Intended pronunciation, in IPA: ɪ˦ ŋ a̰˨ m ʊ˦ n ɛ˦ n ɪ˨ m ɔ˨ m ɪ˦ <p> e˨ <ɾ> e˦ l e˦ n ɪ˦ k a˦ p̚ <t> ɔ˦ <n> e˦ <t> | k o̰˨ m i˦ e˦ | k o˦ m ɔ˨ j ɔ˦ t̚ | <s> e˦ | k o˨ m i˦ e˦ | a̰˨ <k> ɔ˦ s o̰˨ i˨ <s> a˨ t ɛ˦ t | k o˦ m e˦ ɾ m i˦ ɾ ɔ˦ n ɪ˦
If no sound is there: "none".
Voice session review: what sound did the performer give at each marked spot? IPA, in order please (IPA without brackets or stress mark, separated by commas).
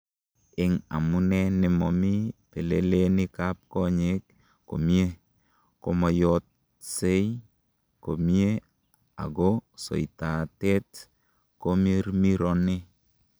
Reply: p, l, k, ɲ, k, s, ɡ, t